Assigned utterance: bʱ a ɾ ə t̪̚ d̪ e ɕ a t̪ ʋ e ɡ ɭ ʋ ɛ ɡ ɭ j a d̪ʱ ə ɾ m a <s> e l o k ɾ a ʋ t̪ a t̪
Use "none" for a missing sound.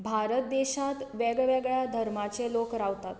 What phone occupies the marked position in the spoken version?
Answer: t͡s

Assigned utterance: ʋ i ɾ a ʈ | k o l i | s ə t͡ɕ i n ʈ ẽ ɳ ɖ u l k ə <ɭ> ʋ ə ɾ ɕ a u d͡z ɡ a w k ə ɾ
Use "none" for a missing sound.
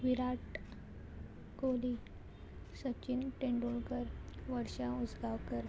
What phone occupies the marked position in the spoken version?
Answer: ɾ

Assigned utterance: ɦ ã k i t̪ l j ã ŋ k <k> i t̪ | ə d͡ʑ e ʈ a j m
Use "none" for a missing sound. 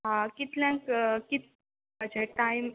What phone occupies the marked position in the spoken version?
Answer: k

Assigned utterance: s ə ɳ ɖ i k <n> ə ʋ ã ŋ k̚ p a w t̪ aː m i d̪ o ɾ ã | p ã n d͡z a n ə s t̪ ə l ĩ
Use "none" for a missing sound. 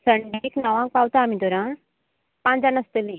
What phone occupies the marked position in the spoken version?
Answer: n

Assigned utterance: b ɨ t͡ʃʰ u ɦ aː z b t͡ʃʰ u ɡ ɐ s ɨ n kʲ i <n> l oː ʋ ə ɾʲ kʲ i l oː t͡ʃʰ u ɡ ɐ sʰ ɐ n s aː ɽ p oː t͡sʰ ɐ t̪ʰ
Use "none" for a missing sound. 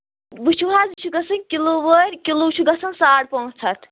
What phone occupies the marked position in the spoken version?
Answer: none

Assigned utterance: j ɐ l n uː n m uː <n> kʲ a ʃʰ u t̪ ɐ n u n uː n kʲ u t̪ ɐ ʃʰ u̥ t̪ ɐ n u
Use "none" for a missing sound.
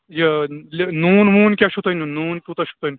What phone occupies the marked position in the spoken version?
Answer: n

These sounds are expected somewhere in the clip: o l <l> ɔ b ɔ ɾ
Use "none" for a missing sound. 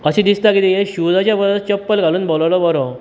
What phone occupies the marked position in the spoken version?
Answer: l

